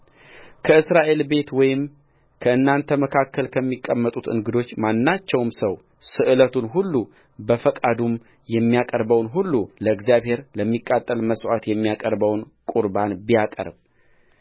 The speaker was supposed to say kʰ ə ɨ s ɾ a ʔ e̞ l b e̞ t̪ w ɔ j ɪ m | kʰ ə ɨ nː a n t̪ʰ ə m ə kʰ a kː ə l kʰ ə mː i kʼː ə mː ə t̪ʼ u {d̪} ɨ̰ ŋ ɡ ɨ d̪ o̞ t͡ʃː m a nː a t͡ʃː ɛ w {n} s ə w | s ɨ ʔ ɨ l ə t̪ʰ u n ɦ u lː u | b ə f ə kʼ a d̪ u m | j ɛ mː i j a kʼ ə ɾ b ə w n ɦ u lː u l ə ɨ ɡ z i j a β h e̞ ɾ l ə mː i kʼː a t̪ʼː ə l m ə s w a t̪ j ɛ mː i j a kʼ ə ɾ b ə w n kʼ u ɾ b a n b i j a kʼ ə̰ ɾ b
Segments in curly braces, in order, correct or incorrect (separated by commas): incorrect, incorrect